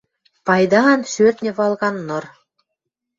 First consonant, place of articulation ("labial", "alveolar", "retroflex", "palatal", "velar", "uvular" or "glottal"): labial